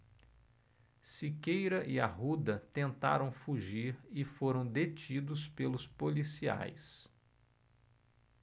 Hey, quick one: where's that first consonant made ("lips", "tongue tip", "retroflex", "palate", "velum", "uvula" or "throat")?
tongue tip